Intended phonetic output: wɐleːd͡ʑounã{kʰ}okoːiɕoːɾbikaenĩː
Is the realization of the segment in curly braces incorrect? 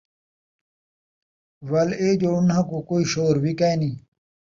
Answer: yes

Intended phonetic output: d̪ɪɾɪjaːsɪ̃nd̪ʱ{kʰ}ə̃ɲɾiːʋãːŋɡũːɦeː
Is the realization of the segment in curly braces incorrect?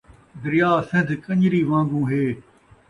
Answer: yes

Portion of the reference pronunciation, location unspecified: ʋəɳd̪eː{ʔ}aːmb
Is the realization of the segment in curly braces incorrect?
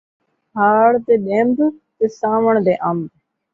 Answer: no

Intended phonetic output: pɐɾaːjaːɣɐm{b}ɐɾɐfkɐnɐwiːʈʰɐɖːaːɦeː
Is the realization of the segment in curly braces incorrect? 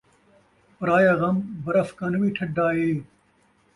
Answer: no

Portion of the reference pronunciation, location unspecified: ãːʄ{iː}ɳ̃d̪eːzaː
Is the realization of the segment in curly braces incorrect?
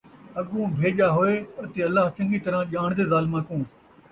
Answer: yes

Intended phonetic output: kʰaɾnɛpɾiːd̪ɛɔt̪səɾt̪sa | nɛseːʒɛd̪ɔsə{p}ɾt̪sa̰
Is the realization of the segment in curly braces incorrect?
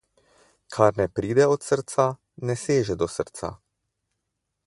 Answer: yes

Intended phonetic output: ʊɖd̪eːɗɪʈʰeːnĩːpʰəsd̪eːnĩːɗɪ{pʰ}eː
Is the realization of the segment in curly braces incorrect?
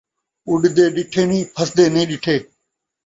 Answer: yes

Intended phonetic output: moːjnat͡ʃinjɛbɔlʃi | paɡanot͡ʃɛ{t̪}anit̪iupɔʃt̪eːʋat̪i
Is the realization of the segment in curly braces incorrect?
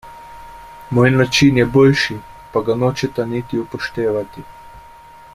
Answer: no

